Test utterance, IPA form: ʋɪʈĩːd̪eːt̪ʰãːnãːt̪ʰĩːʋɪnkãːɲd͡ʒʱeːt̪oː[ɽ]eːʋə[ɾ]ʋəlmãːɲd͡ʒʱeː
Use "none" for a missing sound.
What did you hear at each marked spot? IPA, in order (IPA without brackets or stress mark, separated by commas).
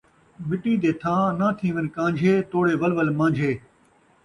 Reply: ɽ, l